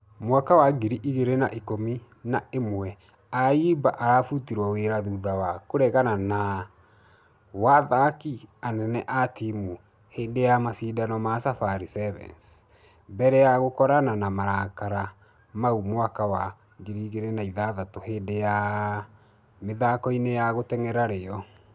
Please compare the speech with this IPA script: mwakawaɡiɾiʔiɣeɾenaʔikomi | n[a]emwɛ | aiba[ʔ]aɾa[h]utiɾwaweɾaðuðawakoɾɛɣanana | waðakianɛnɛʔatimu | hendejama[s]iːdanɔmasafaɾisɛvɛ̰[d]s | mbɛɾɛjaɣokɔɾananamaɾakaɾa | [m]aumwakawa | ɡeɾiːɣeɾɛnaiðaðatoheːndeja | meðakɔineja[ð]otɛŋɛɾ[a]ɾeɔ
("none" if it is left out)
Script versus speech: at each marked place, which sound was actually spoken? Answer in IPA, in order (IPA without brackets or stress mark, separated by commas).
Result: a, ʔ, f, s, n, m, ɣ, a